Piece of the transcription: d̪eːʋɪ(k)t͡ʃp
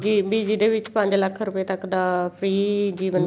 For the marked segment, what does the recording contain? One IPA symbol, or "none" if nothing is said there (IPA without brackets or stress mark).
none